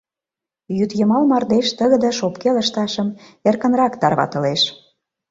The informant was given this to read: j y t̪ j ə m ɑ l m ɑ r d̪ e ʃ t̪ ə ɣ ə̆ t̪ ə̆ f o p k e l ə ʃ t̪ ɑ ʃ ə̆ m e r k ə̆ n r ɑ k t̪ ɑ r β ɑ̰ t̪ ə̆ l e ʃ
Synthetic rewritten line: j y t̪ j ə m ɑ l m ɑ r d̪ e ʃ t̪ ə ɣ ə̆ d̪ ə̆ ʃ o p k e l ə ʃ t̪ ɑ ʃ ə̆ m e r k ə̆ n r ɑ k t̪ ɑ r β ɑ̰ t̪ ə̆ l e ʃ